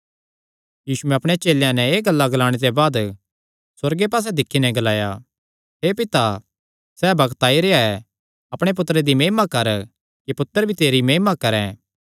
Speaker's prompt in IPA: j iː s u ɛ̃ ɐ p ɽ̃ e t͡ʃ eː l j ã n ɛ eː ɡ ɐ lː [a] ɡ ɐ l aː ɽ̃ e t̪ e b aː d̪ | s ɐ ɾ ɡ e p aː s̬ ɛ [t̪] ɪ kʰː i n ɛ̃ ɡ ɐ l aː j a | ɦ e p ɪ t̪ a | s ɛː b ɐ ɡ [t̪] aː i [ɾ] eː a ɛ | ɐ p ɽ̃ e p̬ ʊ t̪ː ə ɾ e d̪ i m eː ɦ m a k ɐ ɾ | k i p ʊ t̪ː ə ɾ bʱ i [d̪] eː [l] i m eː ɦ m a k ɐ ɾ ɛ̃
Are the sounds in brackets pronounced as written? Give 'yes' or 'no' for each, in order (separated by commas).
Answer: yes, no, yes, yes, no, no